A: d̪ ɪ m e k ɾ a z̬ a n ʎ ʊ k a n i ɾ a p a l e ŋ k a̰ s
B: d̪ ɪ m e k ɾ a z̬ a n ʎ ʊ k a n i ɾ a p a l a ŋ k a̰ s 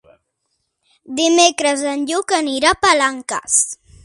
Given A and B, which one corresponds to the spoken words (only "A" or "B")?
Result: B